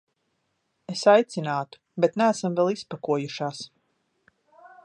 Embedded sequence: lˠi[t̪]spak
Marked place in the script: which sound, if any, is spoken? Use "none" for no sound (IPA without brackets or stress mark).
none